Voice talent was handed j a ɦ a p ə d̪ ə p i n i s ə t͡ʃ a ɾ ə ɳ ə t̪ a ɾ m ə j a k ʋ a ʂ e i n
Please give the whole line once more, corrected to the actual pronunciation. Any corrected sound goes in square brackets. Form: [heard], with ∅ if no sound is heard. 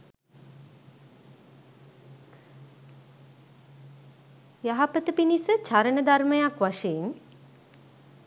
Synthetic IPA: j a ɦ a p ə [t̪] ə p i n i s ə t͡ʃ a ɾ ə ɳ ə [d̪] a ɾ m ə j a k ʋ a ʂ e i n